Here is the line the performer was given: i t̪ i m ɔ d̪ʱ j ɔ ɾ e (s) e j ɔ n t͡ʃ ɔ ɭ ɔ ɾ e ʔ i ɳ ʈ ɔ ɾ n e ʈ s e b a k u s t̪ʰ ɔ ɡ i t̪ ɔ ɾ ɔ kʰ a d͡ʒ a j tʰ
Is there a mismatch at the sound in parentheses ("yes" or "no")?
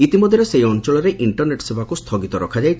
no